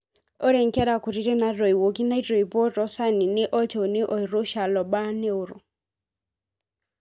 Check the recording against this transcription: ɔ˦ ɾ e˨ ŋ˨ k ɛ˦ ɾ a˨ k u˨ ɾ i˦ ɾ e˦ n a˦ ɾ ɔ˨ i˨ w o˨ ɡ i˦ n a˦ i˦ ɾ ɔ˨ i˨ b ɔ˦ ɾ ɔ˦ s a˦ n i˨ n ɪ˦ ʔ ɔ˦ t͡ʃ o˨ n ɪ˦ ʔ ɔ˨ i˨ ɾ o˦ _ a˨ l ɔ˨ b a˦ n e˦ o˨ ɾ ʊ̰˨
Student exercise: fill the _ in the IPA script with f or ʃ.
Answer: ʃ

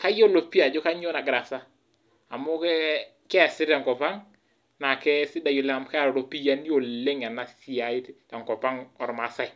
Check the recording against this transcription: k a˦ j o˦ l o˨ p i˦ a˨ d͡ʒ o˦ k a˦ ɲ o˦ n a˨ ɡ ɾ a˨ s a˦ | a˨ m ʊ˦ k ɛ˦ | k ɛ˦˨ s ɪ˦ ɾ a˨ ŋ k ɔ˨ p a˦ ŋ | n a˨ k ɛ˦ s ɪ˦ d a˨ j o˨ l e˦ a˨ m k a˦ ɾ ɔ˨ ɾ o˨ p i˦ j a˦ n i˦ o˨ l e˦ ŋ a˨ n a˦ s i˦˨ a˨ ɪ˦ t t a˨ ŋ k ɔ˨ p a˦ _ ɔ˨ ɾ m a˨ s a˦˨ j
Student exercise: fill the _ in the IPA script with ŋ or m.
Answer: ŋ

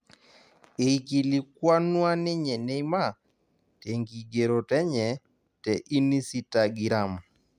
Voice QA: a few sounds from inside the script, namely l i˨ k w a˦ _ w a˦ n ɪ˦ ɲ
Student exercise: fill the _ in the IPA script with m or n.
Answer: n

